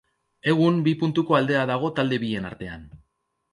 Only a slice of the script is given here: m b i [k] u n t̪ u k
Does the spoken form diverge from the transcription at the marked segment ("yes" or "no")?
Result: yes